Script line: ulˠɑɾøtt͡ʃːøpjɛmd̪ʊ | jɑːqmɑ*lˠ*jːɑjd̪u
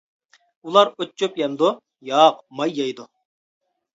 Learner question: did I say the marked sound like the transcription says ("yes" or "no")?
no